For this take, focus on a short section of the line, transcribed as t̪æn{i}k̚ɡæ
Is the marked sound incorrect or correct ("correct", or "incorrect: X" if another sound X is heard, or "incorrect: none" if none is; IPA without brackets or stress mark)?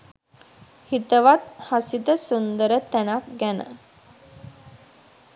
incorrect: a